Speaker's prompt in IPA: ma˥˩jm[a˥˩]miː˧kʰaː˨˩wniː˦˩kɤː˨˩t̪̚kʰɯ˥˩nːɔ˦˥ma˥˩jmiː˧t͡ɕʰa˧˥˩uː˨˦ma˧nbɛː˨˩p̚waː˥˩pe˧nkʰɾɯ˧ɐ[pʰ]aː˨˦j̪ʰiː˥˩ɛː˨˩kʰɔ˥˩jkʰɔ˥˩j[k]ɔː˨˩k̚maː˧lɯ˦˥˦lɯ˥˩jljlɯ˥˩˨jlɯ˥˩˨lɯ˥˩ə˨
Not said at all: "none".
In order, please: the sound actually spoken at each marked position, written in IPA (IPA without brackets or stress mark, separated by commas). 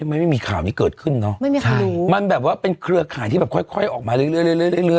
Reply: a˥˩, kʰ, ʔ